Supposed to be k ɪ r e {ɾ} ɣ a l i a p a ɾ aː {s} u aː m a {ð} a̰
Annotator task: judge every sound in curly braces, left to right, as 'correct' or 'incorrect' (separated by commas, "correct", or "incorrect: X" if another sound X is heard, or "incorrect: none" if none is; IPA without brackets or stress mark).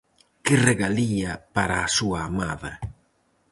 incorrect: none, correct, correct